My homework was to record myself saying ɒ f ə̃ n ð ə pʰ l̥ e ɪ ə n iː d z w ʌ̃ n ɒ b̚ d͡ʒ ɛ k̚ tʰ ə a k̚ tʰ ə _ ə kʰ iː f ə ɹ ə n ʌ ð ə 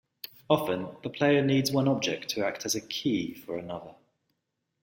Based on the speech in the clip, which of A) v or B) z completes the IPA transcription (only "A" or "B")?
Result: B